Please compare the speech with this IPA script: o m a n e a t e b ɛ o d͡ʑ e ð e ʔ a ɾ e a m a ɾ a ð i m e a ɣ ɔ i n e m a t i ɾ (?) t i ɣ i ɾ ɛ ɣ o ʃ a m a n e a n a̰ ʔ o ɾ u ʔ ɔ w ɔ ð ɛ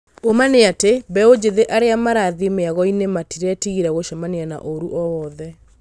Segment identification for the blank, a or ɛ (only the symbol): ɛ